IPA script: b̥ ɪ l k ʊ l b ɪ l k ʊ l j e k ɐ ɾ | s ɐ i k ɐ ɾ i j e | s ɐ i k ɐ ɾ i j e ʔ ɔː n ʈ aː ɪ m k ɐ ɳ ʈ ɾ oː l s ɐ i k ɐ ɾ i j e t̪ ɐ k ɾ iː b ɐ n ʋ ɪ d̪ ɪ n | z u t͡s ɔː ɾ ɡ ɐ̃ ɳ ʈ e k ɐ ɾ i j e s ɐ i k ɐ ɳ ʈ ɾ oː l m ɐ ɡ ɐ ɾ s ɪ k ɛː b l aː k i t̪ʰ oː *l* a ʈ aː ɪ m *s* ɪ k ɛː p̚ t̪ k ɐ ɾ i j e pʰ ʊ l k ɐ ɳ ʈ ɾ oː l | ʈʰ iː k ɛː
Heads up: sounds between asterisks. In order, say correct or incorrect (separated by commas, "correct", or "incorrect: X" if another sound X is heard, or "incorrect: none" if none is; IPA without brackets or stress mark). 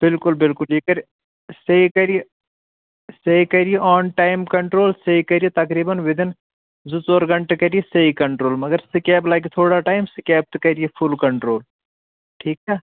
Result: incorrect: ɽ, correct